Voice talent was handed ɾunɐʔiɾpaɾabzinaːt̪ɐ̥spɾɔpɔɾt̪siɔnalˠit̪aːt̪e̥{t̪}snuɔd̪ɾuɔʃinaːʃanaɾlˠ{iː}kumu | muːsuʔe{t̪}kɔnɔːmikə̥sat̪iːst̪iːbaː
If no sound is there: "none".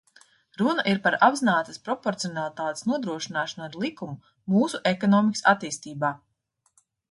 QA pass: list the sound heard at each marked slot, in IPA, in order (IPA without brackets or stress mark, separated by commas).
none, i, none